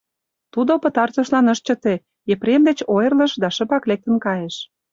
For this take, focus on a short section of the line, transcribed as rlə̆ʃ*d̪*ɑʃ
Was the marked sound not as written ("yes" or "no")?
no